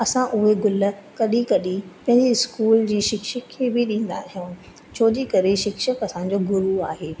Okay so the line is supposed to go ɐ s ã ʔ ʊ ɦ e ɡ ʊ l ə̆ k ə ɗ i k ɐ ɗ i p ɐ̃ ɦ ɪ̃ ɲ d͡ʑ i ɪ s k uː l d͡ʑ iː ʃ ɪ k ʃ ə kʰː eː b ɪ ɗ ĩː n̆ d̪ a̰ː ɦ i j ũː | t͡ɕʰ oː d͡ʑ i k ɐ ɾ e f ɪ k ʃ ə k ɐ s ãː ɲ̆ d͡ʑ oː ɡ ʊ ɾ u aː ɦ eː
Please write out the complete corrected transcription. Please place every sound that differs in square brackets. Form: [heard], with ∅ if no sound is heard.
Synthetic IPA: ɐ s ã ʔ ʊ ɦ e ɡ ʊ l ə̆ k [ɐ] ɗ i k ɐ ɗ i p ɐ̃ ɦ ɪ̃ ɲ d͡ʑ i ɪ s k uː l d͡ʑ iː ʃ ɪ k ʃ ə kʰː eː b ɪ ɗ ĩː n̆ d̪ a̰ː ɦ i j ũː | t͡ɕʰ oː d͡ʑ i k ɐ ɾ e [ʃ] ɪ k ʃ ə k ɐ s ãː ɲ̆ d͡ʑ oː ɡ ʊ ɾ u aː ɦ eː

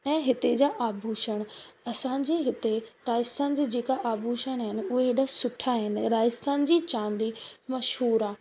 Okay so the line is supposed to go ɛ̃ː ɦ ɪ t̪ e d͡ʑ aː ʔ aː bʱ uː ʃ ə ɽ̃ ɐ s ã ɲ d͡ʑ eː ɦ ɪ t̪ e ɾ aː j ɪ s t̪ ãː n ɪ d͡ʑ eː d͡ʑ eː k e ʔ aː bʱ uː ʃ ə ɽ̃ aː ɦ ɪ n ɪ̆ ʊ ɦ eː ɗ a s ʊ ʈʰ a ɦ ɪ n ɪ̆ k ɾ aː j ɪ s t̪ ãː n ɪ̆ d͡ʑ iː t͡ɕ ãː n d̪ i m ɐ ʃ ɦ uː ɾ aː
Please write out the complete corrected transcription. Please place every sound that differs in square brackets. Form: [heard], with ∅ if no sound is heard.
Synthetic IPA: ɛ̃ː ɦ ɪ t̪ e d͡ʑ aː ʔ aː bʱ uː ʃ ə ɽ̃ ɐ s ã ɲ d͡ʑ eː ɦ ɪ t̪ e ɾ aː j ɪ s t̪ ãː n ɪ d͡ʑ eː d͡ʑ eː k [a] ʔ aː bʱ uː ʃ ə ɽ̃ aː ɦ ɪ n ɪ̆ ʊ ɦ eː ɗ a s ʊ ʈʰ a ɦ ɪ n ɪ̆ [∅] ɾ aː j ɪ s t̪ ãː n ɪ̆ d͡ʑ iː t͡ɕ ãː n d̪ i m ɐ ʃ ɦ uː ɾ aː

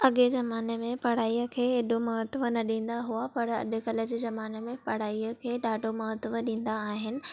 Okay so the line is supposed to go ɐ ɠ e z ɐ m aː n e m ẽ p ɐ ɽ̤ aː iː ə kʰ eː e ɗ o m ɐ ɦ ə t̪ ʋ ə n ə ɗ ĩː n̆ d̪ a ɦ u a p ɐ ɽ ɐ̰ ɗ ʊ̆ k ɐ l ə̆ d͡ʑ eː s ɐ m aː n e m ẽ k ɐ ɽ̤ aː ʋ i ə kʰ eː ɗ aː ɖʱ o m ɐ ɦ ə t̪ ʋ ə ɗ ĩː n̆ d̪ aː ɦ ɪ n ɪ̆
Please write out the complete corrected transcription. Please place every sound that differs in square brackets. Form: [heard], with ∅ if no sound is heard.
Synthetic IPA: ɐ ɠ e z ɐ m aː n e m ẽ p ɐ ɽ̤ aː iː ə kʰ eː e ɗ o m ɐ ɦ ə t̪ ʋ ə n [ɐ] ɗ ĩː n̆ d̪ a ɦ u a p ɐ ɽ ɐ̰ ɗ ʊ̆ k ɐ l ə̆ d͡ʑ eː [z] ɐ m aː n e m ẽ [p] ɐ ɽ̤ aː [∅] i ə kʰ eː ɗ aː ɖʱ o m ɐ ɦ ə t̪ ʋ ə ɗ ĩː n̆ d̪ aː ɦ ɪ n ɪ̆

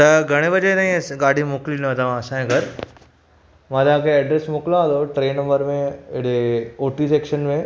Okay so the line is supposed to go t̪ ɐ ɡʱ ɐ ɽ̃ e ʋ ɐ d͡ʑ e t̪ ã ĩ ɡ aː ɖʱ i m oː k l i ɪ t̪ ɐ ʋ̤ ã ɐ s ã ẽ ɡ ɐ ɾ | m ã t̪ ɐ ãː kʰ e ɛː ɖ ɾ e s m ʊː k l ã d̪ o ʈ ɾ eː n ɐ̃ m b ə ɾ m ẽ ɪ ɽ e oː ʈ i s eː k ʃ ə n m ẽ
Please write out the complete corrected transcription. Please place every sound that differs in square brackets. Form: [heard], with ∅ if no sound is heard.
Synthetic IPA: t̪ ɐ ɡʱ ɐ ɽ̃ e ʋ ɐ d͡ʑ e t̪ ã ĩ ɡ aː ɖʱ i m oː k l i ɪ t̪ ɐ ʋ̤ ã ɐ s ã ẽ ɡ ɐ ɾ | m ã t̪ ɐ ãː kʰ e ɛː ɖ ɾ e s m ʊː k l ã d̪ o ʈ ɾ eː n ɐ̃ m b ə ɾ m ẽ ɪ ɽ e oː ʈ i s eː k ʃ ə n m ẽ

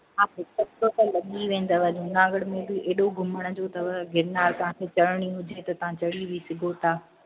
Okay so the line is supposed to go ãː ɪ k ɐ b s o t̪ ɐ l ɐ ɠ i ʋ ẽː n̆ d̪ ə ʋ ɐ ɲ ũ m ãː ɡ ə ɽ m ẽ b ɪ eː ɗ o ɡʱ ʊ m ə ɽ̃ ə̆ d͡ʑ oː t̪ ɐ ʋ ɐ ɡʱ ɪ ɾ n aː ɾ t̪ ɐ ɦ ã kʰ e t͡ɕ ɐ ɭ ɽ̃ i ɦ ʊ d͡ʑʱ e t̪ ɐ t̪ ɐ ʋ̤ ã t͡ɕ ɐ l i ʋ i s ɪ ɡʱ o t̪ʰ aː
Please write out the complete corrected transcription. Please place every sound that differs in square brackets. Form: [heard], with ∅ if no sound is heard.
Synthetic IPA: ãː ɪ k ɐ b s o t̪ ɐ l ɐ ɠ i ʋ ẽː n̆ d̪ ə ʋ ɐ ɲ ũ [n] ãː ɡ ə ɽ m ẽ b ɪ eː ɗ o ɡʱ ʊ m ə ɽ̃ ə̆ d͡ʑ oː t̪ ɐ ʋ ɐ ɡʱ ɪ ɾ n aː ɾ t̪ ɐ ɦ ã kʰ e t͡ɕ ɐ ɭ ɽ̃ i ɦ ʊ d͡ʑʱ e t̪ ɐ t̪ ɐ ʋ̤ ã t͡ɕ ɐ [ɽ] i ʋ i s ɪ ɡʱ o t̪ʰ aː

